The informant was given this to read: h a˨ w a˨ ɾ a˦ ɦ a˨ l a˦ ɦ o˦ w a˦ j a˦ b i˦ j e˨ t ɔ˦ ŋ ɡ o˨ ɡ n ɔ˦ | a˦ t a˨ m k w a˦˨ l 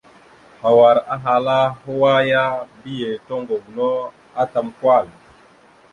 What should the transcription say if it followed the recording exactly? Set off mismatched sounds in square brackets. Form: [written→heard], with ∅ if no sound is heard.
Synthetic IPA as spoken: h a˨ w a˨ ɾ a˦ ɦ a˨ l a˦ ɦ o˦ w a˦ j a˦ b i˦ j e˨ t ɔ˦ ŋ ɡ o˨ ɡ n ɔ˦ | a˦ t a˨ m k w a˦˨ l